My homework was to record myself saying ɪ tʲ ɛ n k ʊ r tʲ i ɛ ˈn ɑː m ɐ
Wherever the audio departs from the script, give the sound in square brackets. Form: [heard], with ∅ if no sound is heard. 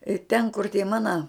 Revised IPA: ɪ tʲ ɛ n k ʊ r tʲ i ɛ [ˈm] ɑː [n] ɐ